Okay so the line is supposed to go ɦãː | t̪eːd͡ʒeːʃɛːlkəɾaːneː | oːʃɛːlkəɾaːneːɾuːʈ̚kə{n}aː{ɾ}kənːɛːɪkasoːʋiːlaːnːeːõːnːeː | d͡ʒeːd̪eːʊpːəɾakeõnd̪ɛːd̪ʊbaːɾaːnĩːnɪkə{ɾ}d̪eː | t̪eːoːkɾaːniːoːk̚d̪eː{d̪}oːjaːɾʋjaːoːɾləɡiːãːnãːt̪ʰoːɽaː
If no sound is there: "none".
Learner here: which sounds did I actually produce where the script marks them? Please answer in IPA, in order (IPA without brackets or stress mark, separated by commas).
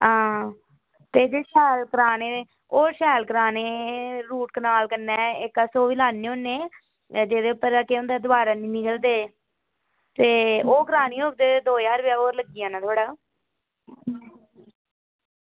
n, l, l, d̪